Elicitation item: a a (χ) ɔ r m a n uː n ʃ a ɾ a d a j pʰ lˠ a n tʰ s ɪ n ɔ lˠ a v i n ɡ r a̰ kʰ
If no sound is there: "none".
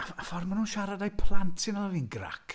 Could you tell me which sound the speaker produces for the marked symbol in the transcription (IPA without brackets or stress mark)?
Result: f